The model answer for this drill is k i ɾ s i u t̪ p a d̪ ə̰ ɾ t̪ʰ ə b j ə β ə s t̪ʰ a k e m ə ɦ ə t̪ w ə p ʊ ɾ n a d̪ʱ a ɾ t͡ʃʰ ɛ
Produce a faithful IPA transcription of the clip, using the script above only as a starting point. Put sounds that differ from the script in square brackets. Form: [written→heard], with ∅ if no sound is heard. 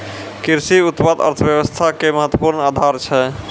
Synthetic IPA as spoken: k i ɾ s i u t̪ p a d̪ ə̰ ɾ t̪ʰ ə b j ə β ə s t̪ʰ a k e m ə ɦ ə t̪ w ə p [ʊ→u] ɾ n a d̪ʱ a ɾ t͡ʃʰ ɛ